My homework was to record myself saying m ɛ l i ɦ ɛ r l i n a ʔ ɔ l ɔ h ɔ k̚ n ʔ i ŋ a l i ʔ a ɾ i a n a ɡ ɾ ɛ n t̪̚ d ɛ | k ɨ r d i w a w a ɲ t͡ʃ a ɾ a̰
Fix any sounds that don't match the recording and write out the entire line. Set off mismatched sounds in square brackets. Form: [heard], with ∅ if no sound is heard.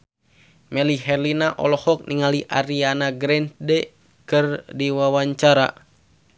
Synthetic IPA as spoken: m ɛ l i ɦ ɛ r l i n a ʔ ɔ l ɔ h ɔ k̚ n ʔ i ŋ a l i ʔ a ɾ i a n a ɡ ɾ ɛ n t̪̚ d ɛ | k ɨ r d i w a w a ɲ t͡ʃ a ɾ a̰